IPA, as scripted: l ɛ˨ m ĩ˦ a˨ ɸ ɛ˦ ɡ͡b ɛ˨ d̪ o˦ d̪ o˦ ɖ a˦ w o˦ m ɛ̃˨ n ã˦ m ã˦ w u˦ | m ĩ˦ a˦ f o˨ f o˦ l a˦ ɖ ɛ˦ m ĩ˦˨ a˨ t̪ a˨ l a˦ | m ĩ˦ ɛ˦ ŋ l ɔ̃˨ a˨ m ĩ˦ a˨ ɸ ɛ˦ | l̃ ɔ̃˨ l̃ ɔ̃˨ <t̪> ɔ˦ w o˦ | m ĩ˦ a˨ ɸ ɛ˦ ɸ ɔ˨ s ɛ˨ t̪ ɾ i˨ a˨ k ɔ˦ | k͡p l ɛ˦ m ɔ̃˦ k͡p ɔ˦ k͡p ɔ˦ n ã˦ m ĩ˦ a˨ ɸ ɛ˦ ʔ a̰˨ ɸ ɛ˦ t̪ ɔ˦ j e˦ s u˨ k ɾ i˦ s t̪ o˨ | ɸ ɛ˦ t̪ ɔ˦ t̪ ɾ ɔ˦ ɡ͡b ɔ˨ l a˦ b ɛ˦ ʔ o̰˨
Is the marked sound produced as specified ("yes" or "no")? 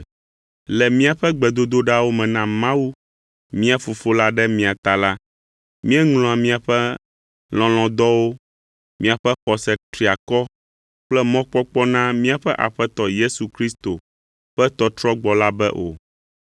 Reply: no